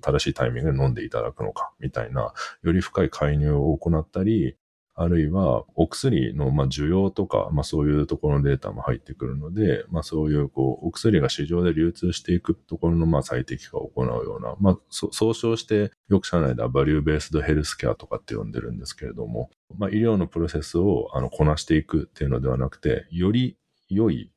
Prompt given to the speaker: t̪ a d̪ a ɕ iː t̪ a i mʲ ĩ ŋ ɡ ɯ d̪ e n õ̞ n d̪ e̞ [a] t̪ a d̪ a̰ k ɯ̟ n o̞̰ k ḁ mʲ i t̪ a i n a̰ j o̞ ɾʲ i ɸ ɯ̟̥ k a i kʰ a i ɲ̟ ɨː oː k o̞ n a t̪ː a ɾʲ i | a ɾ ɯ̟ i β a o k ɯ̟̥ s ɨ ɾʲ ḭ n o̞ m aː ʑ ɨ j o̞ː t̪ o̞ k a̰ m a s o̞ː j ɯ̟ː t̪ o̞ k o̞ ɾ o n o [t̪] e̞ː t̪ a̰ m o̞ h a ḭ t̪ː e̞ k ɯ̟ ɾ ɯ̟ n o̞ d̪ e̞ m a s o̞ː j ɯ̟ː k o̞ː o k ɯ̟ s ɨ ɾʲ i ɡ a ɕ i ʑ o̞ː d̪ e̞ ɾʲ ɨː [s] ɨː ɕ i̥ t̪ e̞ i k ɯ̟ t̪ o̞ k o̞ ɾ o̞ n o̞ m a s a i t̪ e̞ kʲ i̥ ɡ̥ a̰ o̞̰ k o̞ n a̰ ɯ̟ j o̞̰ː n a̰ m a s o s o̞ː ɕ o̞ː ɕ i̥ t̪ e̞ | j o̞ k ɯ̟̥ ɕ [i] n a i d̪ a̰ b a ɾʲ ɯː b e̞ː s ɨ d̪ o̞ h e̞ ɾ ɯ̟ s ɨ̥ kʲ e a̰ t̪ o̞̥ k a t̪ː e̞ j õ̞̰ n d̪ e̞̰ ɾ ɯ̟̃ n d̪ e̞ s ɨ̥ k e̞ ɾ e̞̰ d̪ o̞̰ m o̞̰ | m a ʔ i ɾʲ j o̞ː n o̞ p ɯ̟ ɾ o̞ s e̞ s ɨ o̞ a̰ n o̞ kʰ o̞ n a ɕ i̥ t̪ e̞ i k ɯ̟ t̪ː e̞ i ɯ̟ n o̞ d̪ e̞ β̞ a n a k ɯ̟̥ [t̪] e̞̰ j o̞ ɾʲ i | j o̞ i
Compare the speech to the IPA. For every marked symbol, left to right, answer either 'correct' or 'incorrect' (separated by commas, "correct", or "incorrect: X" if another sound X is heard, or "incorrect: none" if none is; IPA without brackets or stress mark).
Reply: incorrect: i, incorrect: d̪, incorrect: t͡s, incorrect: a, correct